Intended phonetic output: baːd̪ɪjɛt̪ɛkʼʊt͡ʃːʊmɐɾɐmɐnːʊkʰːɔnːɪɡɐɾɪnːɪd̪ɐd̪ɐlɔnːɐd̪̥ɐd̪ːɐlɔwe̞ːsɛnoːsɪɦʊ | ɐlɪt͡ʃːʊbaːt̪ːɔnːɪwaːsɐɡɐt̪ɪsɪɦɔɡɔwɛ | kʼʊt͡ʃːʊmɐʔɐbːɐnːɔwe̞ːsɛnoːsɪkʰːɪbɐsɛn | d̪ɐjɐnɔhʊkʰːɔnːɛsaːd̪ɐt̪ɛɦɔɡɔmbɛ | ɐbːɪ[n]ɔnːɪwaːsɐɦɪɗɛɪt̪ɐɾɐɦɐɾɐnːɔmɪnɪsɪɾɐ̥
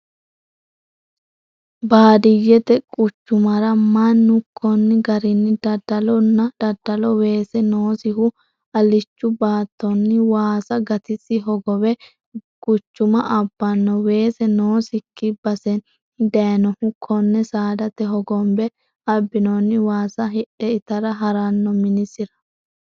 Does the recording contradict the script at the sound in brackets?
no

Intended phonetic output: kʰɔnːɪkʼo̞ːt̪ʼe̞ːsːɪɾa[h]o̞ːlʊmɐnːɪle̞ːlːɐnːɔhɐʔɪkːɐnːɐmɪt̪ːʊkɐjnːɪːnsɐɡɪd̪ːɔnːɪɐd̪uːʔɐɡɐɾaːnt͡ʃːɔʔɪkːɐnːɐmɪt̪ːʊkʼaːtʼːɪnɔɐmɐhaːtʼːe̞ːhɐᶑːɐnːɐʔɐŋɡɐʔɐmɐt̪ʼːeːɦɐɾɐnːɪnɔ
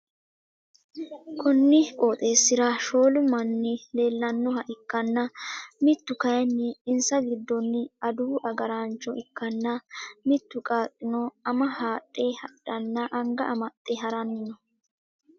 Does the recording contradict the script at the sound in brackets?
yes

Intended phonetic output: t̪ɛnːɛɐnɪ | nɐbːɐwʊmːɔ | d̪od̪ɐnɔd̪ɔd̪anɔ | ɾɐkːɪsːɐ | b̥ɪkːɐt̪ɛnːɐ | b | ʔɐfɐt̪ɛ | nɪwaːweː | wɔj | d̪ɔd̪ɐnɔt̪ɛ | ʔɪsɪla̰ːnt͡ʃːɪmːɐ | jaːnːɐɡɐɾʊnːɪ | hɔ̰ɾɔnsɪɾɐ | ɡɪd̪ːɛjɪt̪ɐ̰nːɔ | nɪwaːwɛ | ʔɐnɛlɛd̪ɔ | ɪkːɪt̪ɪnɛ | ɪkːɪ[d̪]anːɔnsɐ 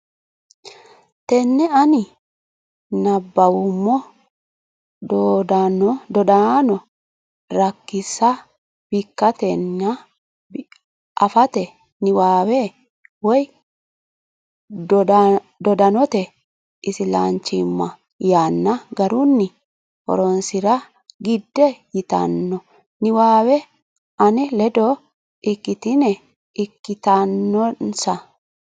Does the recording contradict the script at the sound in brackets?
yes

